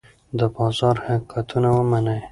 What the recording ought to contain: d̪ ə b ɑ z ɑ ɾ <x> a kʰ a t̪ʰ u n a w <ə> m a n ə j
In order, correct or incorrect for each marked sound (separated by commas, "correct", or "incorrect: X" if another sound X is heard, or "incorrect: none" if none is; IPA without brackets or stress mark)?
incorrect: h, correct